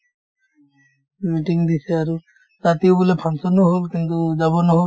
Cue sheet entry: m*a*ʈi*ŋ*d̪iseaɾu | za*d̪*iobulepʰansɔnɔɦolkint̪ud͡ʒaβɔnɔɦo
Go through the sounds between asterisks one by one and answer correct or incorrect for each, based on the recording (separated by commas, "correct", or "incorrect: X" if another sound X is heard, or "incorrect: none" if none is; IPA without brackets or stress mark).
incorrect: i, correct, incorrect: t̪